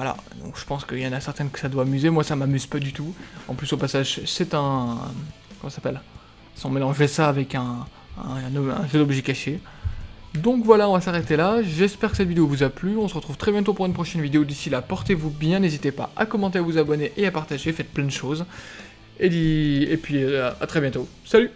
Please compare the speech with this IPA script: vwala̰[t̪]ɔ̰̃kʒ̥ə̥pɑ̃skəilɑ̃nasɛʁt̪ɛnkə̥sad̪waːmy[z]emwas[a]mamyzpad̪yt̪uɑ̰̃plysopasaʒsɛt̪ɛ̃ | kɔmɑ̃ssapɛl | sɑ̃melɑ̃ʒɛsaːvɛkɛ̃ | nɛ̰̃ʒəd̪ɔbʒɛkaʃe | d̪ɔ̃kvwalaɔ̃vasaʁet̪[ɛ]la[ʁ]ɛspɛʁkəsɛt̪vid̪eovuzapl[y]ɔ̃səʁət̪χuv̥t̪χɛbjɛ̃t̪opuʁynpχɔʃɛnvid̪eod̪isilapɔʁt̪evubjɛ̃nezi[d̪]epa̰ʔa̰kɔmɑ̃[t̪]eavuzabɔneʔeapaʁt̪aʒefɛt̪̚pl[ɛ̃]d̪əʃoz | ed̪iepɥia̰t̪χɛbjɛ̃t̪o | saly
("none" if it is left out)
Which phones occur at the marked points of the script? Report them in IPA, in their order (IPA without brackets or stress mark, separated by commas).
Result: d̪, z, a, e, ʒ, y, t̪, t̪, ɛ̃